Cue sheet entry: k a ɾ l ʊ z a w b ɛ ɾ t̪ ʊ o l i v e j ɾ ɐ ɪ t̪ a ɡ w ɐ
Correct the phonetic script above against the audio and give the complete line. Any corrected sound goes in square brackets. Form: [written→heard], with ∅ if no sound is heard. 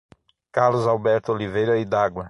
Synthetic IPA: k a ɾ l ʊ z a w b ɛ ɾ t̪ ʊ o l i v e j ɾ ɐ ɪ [t̪→d̪] a ɡ w ɐ